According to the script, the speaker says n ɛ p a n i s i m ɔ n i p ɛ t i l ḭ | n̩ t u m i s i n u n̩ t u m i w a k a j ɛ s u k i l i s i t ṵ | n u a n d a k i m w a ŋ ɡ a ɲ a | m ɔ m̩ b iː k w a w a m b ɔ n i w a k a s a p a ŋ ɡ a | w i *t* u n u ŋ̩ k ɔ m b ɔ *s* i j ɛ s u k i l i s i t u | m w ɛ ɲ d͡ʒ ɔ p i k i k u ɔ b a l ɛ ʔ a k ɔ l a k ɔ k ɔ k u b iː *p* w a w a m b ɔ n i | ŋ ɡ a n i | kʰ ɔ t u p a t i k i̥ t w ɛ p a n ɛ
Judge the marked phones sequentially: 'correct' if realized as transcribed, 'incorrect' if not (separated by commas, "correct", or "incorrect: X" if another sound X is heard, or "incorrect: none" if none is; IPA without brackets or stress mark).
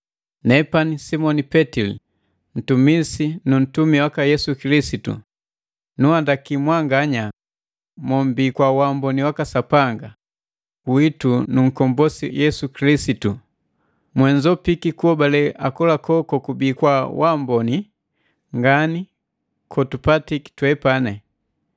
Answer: correct, correct, incorrect: k